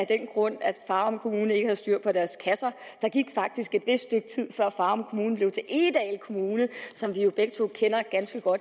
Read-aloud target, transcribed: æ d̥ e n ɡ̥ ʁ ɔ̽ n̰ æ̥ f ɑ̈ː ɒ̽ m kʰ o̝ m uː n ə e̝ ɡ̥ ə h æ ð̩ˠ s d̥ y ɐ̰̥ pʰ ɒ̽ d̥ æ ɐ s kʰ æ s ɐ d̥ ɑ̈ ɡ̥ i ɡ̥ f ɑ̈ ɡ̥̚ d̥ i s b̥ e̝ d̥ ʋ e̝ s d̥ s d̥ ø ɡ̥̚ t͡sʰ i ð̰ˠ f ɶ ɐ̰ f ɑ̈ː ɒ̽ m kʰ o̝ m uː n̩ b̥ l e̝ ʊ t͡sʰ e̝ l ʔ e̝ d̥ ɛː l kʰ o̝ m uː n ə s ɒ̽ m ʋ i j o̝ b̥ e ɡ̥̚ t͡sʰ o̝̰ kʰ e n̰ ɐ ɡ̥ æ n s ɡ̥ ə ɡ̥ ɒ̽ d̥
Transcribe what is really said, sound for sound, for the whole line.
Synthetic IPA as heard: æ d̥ e n ɡ̥ ʁ ɔ̽ n̰ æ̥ f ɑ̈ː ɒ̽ m kʰ o̝ m uː n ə e̝ ɡ̥ ə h æ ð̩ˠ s d̥ y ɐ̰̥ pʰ ɒ̽ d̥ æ ɐ s kʰ æ s ɐ d̥ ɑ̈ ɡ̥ i ɡ̥ f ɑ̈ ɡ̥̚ d̥ i s ɡ̥ e̝ d̥ ʋ e̝ s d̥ s d̥ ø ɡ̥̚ t͡sʰ i ð̰ˠ f ɶ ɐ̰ f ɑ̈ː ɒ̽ m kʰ o̝ m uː n̩ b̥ l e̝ ʊ t͡sʰ e̝ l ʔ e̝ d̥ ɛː l kʰ o̝ m uː n ə s ɒ̽ m ʋ i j o̝ b̥ e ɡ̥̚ t͡sʰ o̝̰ kʰ e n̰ ɐ ɡ̥ æ n s ɡ̥ ə ɡ̥ ɒ̽ d̥